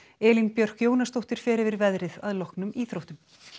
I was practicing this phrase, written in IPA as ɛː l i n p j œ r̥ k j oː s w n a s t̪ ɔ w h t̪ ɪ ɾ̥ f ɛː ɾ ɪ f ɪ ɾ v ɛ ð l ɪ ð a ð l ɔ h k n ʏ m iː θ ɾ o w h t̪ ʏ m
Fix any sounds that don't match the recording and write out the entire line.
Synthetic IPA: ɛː l i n p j œ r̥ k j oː w n a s t̪ o w h t̪ ɪ ɾ̥ f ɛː ɾ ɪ v ɪ ɾ v ɛ ð ɾ ɪ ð a ð l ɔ h k n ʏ m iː θ ɾ o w h t̪ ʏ m